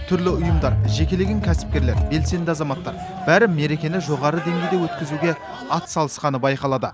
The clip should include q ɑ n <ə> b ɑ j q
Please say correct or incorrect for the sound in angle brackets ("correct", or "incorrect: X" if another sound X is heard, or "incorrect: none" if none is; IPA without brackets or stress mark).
correct